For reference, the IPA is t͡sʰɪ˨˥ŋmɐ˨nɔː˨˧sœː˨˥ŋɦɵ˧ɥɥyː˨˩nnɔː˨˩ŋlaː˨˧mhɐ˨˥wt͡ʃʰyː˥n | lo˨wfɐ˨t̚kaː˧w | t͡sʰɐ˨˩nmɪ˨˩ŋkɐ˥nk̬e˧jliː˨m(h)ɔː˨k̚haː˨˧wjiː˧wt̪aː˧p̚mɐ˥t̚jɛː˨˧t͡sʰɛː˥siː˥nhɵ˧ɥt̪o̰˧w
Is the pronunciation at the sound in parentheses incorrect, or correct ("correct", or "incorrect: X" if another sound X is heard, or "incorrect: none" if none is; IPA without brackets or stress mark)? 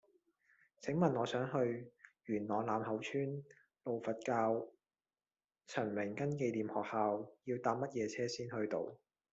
correct